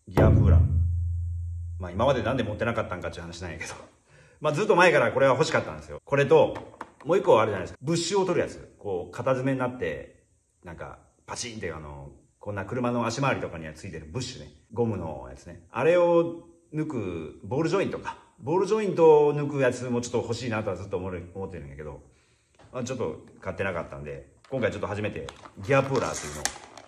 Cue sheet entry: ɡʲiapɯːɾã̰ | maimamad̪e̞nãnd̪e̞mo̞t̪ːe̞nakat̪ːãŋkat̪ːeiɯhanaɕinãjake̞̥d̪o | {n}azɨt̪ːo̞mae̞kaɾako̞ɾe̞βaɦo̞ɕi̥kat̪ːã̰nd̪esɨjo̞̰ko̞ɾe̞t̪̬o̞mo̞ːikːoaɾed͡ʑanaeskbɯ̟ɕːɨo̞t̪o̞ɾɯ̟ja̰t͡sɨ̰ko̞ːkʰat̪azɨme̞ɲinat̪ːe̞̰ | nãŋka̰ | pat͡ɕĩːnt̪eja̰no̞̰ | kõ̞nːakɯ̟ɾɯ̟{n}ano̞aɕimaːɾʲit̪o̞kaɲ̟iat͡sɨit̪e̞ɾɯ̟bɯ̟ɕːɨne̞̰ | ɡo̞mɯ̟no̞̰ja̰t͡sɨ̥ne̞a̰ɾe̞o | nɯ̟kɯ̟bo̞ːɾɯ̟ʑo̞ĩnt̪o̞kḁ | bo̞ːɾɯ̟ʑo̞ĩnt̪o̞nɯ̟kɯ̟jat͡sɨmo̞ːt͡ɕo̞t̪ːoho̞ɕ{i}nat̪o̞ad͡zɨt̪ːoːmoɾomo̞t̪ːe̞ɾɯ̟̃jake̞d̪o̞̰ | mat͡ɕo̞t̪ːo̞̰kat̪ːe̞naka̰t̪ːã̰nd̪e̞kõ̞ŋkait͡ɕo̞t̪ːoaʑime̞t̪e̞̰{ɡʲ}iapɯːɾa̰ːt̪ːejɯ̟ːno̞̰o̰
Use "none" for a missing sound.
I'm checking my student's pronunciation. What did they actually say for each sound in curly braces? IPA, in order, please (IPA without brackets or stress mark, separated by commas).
m, m, iː, ɡʲ